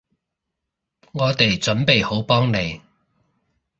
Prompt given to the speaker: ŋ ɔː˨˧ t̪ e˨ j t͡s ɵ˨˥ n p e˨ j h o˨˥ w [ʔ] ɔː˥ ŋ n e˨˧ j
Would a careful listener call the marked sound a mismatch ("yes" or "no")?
yes